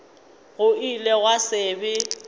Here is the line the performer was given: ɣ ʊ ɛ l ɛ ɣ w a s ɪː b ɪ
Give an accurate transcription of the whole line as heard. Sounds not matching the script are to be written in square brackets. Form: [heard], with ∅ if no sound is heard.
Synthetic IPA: ɣ ʊ [i] l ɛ ɣ w a s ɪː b ɪ